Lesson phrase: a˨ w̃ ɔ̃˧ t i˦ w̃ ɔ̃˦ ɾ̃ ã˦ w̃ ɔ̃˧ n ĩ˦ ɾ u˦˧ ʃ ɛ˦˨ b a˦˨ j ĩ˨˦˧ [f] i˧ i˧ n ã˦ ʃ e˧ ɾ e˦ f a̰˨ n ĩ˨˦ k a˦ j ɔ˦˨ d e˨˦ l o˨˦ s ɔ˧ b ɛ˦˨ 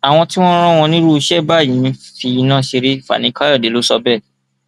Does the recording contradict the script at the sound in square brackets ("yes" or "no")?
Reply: no